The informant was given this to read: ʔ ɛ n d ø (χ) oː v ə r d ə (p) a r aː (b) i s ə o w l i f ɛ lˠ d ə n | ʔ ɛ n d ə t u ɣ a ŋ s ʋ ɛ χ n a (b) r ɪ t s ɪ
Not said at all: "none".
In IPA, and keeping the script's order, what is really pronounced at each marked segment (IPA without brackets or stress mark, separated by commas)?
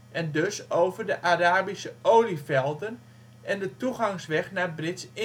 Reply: s, ʔ, b, b